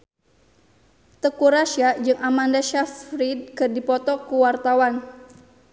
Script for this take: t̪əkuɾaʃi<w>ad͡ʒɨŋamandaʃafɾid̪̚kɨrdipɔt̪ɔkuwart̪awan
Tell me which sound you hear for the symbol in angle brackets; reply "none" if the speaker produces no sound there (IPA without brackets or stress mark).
none